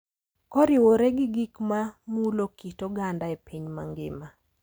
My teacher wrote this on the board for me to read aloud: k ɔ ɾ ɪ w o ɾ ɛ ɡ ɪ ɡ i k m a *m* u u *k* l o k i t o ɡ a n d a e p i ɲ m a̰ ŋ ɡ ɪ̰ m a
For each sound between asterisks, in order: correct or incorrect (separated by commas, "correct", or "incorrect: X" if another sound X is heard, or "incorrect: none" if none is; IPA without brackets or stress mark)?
correct, incorrect: none